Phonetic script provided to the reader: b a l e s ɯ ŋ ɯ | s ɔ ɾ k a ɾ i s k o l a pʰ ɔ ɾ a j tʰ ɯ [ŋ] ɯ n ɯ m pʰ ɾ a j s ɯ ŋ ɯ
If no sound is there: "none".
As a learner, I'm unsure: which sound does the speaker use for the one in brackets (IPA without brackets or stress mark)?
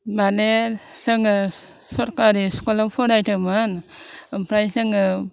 m